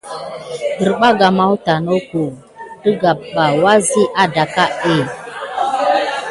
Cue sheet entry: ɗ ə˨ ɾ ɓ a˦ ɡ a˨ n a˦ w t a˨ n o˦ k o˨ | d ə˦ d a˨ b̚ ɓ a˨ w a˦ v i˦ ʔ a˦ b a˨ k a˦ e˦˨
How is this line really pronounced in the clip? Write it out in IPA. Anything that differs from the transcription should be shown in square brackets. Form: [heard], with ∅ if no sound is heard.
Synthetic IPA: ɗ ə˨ ɾ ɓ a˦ ɡ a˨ [m] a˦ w t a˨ n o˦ k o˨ | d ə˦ [ɡ] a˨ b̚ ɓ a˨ w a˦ [z] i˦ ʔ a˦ [d] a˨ k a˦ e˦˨